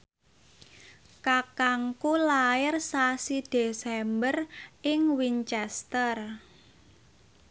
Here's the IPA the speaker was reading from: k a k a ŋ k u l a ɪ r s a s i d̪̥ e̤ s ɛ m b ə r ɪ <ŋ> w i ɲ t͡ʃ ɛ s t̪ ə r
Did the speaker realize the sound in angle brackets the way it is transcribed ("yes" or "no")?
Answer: yes